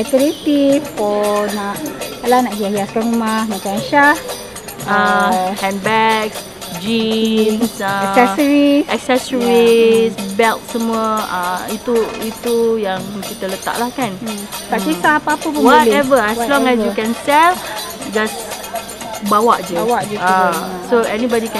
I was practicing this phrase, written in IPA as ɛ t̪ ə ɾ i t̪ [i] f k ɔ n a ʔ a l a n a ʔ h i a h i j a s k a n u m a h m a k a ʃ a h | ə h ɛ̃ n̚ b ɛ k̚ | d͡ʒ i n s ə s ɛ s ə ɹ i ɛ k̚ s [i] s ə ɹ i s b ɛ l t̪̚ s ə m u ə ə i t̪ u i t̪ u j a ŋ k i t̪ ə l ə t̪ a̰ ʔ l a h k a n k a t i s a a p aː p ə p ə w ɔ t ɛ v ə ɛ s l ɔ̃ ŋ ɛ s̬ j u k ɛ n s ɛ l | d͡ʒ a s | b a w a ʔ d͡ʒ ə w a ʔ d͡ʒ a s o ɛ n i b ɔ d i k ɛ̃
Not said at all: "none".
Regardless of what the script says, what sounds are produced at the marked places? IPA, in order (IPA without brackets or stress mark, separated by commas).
i, ɛ